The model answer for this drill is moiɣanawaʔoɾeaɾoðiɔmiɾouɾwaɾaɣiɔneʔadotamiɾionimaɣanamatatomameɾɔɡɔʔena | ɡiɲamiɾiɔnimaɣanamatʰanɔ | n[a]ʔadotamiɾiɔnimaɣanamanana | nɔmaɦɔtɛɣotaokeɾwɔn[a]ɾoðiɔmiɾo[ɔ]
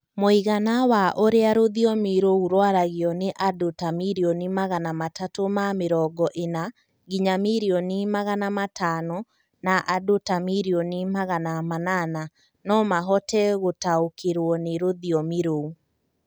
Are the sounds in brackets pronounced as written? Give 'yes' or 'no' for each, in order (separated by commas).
yes, no, no